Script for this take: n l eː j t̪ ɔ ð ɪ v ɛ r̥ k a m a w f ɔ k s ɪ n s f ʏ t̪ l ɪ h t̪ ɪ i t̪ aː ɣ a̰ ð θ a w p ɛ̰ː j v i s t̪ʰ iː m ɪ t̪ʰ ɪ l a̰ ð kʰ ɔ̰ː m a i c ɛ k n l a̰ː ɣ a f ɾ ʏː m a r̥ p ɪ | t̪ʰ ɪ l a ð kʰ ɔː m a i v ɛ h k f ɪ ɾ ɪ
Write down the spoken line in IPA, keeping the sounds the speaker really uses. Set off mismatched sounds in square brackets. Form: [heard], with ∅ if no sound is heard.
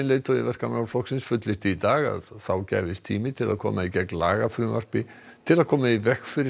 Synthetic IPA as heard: n l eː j t̪ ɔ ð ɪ v ɛ r̥ k a m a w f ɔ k s ɪ n s f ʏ t̪ l ɪ h t̪ ɪ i t̪ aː ɣ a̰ ð θ a w [c] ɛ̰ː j v [ɪ] s t̪ʰ iː m ɪ t̪ʰ ɪ l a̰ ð kʰ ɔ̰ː m a i c ɛ k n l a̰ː ɣ a f ɾ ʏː m a r̥ p ɪ | t̪ʰ ɪ l a ð kʰ ɔː m a i v ɛ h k f ɪ ɾ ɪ